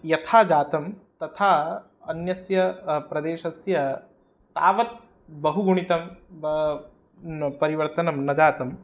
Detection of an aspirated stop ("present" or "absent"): present